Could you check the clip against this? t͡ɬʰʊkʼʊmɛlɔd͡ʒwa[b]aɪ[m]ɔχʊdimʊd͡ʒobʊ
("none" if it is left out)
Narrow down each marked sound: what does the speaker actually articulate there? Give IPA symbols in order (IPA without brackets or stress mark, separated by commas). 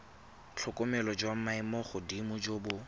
m, m